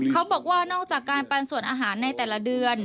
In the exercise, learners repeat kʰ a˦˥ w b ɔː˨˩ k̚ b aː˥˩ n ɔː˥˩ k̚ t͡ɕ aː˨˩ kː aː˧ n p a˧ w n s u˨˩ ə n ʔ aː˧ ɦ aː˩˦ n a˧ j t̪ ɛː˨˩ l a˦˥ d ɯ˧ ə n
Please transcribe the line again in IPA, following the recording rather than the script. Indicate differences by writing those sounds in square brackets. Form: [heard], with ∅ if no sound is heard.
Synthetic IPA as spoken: kʰ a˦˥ w b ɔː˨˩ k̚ [w] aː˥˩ n ɔː˥˩ k̚ t͡ɕ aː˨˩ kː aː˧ n p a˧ [∅] n s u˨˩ ə n ʔ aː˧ ɦ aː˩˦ [nː] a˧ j t̪ ɛː˨˩ l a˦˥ d ɯ˧ ə n